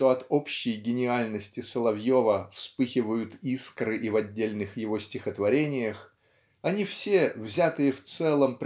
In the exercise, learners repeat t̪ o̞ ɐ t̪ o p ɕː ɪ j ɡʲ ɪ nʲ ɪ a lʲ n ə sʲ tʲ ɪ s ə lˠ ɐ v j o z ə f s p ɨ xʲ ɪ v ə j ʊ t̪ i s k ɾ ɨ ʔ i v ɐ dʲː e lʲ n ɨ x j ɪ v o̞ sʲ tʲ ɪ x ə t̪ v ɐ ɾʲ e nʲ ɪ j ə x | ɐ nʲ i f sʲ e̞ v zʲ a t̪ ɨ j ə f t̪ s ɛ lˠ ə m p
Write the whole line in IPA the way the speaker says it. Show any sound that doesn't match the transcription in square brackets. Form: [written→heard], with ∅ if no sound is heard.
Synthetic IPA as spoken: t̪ o̞ ɐ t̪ o p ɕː ɪ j ɡʲ ɪ nʲ ɪ a lʲ n ə sʲ tʲ ɪ s ə lˠ ɐ v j o [z→v] ə f s p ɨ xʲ ɪ v ə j ʊ t̪ i s k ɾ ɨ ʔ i v ɐ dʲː e lʲ n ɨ x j ɪ v o̞ sʲ tʲ ɪ x ə t̪ v ɐ ɾʲ e nʲ ɪ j ə x | ɐ nʲ i f sʲ e̞ v zʲ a t̪ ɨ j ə f t̪ s ɛ lˠ ə m p